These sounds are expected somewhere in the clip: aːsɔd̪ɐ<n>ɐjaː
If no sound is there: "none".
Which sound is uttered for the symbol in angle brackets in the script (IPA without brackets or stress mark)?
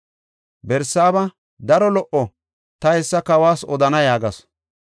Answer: n